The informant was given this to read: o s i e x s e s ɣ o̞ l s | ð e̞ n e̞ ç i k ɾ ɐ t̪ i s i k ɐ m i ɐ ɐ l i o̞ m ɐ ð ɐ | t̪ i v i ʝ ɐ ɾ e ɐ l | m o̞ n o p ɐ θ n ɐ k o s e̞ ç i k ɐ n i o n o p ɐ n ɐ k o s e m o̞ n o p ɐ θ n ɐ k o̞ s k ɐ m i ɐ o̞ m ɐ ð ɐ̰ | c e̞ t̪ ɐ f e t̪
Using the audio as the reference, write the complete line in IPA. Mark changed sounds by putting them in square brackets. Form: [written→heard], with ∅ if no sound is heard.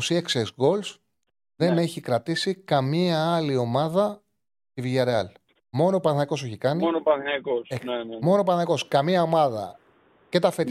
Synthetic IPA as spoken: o s i e [x→k] s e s ɣ o̞ l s | ð e̞ n e̞ ç i k ɾ ɐ t̪ i s i k ɐ m i ɐ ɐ l i o̞ m ɐ ð ɐ | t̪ i v i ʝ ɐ ɾ e ɐ l | m o̞ n o p ɐ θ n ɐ k o s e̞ ç i k ɐ n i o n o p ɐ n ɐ k o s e m o̞ n o p ɐ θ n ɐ k o̞ s k ɐ m i ɐ o̞ m ɐ ð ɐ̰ | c e̞ t̪ ɐ f e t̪